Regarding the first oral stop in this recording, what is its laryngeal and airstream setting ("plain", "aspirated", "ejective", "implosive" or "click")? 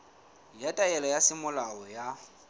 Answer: ejective